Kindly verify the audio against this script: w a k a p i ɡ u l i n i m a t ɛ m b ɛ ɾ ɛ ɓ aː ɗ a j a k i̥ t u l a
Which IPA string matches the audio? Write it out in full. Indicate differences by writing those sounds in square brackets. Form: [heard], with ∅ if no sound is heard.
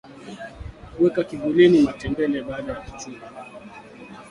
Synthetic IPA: w [ɛ] k a [k] i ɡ u l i n i m a t ɛ m b ɛ [l] ɛ ɓ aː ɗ a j a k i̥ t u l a